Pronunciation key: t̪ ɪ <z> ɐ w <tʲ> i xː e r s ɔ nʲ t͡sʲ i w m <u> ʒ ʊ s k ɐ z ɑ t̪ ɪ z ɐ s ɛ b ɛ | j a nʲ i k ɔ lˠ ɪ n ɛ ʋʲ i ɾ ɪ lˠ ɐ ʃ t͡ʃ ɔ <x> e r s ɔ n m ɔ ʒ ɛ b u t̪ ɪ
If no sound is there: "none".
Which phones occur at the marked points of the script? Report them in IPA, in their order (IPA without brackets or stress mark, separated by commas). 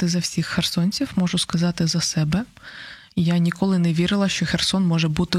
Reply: z, sʲ, ɔ, x